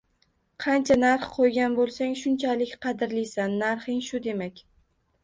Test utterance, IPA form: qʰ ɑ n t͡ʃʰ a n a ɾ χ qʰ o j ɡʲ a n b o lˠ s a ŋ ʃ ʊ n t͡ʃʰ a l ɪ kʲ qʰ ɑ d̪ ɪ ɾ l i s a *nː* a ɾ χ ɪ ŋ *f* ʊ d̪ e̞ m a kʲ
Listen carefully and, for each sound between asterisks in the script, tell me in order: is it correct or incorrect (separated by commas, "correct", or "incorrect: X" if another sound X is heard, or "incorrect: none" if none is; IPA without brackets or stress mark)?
correct, incorrect: ʃ